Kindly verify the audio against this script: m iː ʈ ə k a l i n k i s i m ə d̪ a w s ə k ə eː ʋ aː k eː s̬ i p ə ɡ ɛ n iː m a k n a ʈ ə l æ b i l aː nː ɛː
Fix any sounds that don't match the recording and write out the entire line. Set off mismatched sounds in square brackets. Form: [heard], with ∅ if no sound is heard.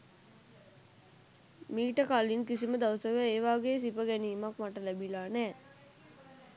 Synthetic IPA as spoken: m iː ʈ ə k a l i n k i s i m ə d̪ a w s ə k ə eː ʋ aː [ɡ] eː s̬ i p ə ɡ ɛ n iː m a k [m] a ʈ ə l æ b i l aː [n] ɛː